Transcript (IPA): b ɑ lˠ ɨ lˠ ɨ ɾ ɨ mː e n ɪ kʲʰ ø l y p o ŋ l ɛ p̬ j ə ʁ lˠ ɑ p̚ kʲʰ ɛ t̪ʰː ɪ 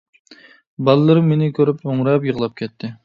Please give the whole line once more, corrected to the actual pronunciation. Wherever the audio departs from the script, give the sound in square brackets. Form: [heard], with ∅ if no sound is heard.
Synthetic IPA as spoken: b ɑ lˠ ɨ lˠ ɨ ɾ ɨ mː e n ɪ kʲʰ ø [ɾ] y p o ŋ [ɾ] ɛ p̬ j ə ʁ lˠ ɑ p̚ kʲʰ ɛ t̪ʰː ɪ